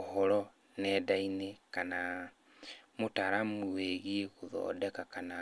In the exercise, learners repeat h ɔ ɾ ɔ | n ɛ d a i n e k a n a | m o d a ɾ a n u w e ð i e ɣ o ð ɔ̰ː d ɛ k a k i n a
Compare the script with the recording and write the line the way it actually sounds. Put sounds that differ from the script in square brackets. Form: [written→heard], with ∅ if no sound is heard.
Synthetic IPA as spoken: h ɔ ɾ ɔ | n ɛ d a i n e k a n a | m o [d→t] a ɾ a [n→m] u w e [ð→ɣ] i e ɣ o ð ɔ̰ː d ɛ k a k [i→a] n a